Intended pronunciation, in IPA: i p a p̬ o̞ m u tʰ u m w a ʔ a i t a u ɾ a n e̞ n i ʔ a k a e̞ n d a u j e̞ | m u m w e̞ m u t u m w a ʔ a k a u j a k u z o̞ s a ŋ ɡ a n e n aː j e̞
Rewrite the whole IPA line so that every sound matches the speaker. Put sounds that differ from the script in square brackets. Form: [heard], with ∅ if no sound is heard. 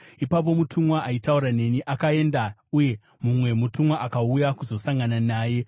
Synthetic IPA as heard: i p a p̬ o̞ m u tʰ u m w a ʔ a i t a u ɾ a n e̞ n i ʔ a k a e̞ n d a u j e̞ | m u m w e̞ m u t u m w a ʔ a k a u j a k u z o̞ s a ŋ ɡ a n [a] n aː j e̞